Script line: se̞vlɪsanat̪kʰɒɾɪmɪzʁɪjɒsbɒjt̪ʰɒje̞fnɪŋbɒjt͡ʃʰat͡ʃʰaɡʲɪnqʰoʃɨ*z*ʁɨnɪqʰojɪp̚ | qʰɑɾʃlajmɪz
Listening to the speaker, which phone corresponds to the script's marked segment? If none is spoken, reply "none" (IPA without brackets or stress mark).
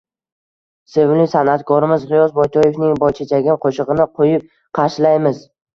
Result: none